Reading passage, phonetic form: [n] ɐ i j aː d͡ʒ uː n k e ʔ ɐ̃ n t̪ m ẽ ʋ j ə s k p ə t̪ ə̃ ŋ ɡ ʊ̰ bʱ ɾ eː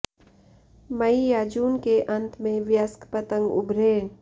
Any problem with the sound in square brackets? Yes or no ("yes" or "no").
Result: yes